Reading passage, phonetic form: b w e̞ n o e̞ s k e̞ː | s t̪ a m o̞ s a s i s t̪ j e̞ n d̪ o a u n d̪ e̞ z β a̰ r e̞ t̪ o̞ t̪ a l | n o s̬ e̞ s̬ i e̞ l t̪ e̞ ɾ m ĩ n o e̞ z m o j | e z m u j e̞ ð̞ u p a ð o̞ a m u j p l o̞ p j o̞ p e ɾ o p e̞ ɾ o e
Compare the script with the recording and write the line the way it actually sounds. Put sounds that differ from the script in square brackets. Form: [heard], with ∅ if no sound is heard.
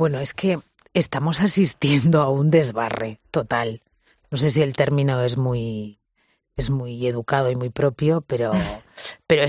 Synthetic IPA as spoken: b w e̞ n o e̞ s k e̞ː | s t̪ a m o̞ s a s i s t̪ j e̞ n d̪ o a u n d̪ e̞ z β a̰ r e̞ t̪ o̞ t̪ a l | n o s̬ e̞ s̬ i e̞ l t̪ e̞ ɾ m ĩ n o e̞ z m [u] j | e z m u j e̞ ð̞ u [k] a ð o̞ [i] m u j p [ɾ] o̞ p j o̞ p e ɾ o p e̞ ɾ o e